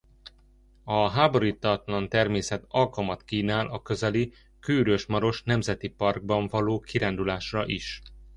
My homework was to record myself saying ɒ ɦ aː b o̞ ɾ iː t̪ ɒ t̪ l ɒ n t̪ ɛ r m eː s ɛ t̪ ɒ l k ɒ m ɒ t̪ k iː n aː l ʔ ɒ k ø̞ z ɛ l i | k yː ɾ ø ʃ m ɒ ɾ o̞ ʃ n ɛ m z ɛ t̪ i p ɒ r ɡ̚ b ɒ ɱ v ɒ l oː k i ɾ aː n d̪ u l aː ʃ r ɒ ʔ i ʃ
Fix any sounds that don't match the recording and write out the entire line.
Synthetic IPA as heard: ɒ ɦ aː b o̞ ɾ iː t̪ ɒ t̪ l ɒ n t̪ ɛ r m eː s ɛ t̪ ɒ l k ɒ m ɒ t̪ k iː n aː l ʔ ɒ k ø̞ z ɛ l i | k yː ɾ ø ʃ m ɒ ɾ o̞ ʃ n ɛ m z ɛ t̪ i p ɒ r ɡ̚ b ɒ ɱ v ɒ l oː k i ɾ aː n d̪ u l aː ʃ r ɒ ʔ i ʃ